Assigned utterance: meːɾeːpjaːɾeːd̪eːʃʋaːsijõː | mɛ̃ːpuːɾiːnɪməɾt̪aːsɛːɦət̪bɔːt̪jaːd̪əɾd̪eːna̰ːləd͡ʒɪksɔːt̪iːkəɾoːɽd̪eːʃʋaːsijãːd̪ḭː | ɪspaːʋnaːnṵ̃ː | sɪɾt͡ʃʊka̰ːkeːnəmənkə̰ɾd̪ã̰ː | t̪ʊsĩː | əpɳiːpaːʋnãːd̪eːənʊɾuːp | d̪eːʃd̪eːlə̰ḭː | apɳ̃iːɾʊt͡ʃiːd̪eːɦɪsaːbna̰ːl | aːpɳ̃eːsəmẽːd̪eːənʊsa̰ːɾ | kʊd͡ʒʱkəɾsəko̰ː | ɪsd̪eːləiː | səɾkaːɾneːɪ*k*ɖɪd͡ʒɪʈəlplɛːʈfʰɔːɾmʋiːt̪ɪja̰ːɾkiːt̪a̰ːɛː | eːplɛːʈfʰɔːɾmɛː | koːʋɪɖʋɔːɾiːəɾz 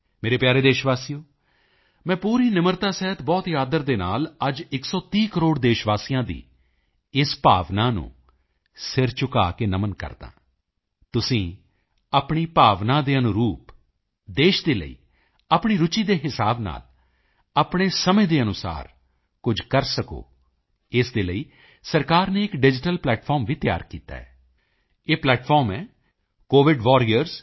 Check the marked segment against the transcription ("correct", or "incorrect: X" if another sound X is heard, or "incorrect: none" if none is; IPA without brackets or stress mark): correct